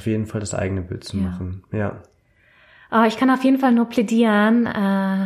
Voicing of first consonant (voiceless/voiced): voiceless